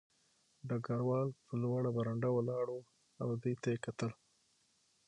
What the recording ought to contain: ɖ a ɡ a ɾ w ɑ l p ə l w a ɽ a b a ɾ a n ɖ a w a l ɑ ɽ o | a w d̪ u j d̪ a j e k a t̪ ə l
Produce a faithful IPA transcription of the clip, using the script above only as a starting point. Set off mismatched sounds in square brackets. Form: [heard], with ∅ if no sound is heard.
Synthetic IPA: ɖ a ɡ a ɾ w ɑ l p ə l w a ɽ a b a ɾ a [ɳ] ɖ a w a l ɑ ɽ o | a w d̪ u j [t̪] a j e k a t̪ ə l

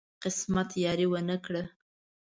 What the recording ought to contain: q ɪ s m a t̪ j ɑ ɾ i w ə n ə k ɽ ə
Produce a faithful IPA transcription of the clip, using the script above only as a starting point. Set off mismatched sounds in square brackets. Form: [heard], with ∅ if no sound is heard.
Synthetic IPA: q ɪ s m a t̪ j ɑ ɾ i w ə n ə k ɽ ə

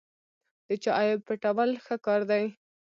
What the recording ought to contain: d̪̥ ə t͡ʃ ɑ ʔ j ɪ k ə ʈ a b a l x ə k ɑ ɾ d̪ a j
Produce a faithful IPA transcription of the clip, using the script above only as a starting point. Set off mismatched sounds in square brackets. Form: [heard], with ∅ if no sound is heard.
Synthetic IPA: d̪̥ ə t͡ʃ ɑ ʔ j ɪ [p] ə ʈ a [w] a l x ə k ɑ ɾ d̪ a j

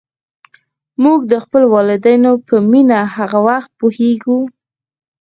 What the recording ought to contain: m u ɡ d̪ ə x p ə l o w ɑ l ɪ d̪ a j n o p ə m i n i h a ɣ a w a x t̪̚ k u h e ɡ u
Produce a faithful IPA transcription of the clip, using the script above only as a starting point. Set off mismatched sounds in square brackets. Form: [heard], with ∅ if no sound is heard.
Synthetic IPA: m u ɡ d̪ ə x p ə l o w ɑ l ɪ d̪ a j n o p ə m i n [a] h a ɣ a w a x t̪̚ [p] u h e ɡ u

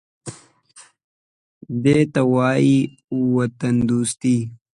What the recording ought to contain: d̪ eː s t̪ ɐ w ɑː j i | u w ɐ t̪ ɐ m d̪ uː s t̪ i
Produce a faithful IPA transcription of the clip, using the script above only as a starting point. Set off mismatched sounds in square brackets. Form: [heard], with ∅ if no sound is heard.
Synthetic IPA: d̪ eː [∅] t̪ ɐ w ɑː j i | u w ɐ t̪ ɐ [n] d̪ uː s t̪ i

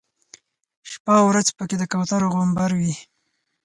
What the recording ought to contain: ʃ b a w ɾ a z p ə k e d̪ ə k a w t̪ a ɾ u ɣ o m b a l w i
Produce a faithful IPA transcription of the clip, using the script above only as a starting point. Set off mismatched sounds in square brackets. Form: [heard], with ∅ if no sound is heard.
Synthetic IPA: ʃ [p] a w ɾ a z p ə k e d̪ ə k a w t̪ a ɾ [o] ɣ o m b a [ɾ] w i

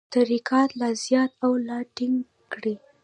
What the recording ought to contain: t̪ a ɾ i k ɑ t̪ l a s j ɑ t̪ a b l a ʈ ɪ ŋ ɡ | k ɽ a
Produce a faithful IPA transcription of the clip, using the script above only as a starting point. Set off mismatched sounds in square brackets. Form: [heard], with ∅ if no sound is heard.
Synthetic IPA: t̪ a ɾ i k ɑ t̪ l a [z] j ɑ t̪ a [w] l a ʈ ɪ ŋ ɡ | k ɽ [i]

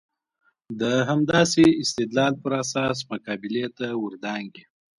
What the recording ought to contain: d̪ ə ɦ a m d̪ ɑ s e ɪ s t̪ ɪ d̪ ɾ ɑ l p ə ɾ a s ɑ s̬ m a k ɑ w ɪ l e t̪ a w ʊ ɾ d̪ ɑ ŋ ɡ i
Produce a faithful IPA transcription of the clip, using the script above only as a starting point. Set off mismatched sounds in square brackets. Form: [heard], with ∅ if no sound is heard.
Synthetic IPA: d̪ ə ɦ a m d̪ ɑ s e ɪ s t̪ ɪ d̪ [l] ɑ l p ə ɾ a s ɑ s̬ m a k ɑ [b] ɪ l e t̪ a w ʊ ɾ d̪ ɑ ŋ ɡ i

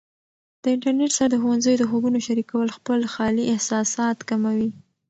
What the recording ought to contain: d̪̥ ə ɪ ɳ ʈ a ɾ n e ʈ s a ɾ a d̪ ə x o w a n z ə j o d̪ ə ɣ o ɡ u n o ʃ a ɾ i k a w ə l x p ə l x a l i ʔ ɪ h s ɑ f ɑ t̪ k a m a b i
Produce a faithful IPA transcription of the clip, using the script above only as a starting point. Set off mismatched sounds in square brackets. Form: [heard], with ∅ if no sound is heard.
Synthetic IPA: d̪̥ ə ɪ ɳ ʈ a ɾ n e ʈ s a ɾ a d̪ ə x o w a n z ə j o d̪ ə [x] o ɡ u n o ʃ a ɾ i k a w ə l x p ə l x [ɑ] l i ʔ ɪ h s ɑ [s] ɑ t̪ k a m a [w] i

